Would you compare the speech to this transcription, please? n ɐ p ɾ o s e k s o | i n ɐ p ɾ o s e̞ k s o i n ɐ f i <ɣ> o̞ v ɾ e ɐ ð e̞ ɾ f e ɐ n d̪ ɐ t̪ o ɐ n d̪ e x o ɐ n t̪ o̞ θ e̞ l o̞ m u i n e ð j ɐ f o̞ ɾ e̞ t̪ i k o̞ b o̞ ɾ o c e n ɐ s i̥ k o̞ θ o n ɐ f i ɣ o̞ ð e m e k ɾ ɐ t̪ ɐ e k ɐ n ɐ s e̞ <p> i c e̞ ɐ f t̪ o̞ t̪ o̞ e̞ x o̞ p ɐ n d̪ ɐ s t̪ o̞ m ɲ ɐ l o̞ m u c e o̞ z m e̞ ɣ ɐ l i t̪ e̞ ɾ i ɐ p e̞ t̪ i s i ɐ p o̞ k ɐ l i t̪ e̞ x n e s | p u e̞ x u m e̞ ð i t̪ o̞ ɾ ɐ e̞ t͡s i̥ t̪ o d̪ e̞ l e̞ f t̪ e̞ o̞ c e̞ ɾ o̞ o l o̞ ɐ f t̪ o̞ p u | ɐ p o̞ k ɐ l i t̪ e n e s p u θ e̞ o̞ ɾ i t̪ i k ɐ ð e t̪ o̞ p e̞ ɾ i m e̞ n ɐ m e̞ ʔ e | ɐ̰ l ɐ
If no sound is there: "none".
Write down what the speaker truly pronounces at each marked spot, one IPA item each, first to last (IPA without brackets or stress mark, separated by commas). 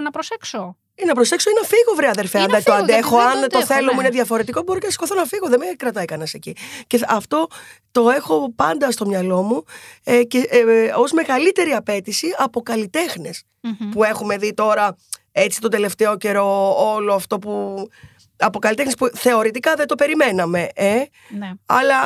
ɣ, c